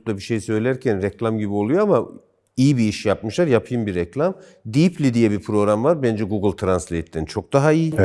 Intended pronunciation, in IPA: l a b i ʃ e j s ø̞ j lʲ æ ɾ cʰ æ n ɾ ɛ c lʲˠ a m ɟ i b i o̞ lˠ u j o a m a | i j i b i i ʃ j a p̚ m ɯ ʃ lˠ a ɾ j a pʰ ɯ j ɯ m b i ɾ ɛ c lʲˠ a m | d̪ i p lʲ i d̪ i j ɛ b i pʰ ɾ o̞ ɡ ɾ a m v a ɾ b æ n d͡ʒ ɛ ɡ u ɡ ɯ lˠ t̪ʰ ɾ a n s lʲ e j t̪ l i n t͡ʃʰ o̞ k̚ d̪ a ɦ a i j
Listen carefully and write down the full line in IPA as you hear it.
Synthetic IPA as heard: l a b i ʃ e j s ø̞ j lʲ æ ɾ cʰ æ n ɾ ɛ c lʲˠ a m ɟ i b i o̞ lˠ u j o a m a | i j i b i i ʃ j a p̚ m ɯ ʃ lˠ a ɾ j a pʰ ɯ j ɯ m b i ɾ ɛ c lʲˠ a m | d̪ i p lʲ i d̪ i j ɛ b i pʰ ɾ o̞ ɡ ɾ a m v a ɾ b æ n d͡ʒ ɛ ɡ u ɡ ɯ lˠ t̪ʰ ɾ a n s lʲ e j t̪ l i n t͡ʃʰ o̞ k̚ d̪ a ɦ a i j